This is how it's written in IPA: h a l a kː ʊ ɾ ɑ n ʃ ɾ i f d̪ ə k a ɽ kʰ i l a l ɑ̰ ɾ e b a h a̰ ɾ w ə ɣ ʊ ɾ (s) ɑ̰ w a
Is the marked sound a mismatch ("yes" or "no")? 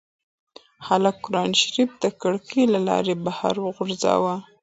yes